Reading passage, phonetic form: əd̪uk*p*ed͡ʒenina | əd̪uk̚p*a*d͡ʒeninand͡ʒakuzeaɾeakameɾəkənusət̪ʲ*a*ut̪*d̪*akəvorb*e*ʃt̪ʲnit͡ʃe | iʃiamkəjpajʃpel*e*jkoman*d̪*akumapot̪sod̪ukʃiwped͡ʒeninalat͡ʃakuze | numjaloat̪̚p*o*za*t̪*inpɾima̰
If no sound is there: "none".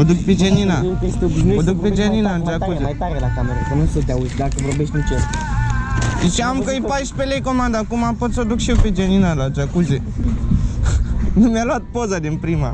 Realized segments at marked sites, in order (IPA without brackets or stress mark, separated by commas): p, e, a, d̪, e, e, d̪, o, d̪